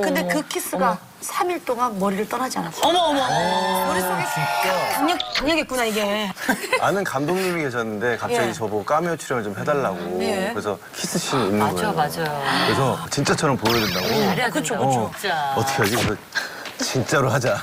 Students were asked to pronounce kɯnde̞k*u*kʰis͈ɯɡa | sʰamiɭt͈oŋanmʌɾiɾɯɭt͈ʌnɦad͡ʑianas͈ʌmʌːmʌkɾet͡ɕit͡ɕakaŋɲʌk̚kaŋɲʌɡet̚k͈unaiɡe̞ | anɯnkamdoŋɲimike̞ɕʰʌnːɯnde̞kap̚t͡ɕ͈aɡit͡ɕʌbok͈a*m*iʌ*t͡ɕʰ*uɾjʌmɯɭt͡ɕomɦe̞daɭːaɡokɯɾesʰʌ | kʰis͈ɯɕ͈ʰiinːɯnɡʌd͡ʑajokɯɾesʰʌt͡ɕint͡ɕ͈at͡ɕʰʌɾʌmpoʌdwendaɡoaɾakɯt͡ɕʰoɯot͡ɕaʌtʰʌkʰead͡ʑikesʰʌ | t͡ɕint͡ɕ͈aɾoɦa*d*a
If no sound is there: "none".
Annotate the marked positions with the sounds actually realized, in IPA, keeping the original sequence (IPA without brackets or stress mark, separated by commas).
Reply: ɯ, m, t͡ɕʰ, d͡ʑ